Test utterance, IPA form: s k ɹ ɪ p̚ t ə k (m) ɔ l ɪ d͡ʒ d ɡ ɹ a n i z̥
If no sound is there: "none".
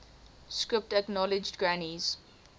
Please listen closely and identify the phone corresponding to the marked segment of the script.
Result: n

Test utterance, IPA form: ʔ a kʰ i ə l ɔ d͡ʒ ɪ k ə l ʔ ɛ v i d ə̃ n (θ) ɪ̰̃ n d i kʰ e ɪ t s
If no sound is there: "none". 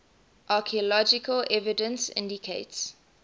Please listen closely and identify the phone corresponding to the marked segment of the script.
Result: s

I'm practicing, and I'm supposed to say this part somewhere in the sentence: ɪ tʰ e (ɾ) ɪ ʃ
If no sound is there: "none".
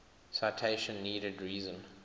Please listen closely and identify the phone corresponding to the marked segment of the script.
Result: none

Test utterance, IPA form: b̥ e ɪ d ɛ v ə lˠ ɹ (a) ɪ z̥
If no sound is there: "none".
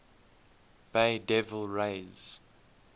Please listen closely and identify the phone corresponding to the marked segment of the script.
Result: e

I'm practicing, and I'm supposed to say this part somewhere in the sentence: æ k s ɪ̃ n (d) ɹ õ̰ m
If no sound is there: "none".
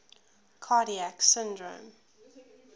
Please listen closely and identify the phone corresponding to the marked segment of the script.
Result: d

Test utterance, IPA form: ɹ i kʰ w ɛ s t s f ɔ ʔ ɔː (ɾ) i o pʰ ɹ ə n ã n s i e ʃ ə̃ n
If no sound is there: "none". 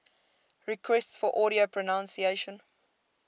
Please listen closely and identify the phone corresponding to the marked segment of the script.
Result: ɾ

